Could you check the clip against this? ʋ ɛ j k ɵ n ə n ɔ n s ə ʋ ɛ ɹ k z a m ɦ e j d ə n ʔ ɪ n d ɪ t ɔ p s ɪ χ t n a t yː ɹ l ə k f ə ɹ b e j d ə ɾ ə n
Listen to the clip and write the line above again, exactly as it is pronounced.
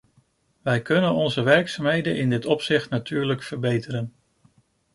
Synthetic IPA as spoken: ʋ ɛ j k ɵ n ə n ɔ n z ə ʋ ɛ ɹ k s a m ɦ e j d ə n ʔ ɪ n d ɪ t ɔ p s ɪ χ t n a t yː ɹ l ə k f ə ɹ b e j t ə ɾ ə n